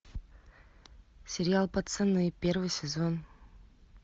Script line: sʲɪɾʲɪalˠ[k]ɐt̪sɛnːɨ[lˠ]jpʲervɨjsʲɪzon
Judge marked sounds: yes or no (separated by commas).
no, no